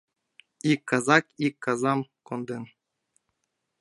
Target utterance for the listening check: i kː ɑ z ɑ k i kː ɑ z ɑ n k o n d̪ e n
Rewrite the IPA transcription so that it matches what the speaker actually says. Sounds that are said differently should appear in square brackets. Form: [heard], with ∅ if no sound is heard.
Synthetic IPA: i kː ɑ z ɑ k i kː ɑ z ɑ [m] k o n d̪ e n